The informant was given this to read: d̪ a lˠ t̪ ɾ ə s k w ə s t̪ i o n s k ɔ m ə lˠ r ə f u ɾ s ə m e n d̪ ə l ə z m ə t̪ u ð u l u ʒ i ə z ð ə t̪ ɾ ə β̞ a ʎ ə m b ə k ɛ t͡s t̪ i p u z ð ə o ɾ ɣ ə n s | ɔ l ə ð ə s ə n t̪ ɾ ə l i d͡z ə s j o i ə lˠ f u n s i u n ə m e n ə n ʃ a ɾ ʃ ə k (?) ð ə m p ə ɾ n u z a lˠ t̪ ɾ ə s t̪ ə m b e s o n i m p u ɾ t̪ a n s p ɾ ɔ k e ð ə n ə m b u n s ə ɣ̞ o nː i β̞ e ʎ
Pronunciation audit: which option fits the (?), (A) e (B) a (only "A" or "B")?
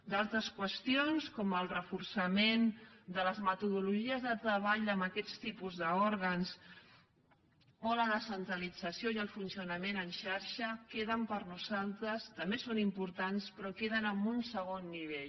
A